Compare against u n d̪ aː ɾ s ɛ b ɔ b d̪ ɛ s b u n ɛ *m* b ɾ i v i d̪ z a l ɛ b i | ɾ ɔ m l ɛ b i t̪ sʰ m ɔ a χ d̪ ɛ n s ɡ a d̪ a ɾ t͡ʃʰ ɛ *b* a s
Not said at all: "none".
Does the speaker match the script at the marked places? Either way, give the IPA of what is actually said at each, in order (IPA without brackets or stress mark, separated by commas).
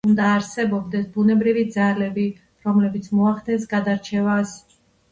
none, v